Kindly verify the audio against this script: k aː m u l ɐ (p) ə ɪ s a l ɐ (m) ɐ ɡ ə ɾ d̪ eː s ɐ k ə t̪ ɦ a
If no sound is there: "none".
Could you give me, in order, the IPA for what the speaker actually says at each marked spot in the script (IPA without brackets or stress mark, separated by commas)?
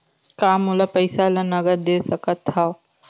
p, n